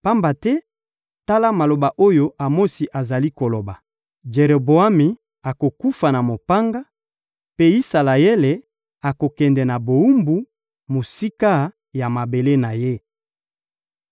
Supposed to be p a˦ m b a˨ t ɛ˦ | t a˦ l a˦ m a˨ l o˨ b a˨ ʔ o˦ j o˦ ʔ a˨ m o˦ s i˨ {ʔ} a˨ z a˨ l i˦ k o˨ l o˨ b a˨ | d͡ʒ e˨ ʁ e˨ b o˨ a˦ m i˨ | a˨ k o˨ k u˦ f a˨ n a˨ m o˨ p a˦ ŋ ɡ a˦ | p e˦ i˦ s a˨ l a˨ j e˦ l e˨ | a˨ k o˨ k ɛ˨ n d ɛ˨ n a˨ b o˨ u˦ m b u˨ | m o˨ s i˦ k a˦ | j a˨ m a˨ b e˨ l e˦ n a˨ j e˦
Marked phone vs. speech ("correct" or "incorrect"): correct